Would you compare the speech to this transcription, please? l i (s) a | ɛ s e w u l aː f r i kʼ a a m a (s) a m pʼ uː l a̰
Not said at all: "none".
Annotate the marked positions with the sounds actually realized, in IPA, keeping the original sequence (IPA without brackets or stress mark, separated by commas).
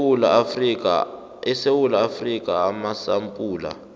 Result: none, s